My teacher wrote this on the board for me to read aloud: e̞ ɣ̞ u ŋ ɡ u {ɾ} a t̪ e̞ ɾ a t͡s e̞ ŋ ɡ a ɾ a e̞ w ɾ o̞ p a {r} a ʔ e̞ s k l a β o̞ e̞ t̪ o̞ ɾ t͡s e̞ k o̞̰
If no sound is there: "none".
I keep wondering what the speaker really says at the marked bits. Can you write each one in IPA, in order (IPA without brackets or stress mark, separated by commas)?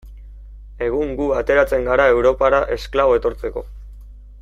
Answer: none, ɾ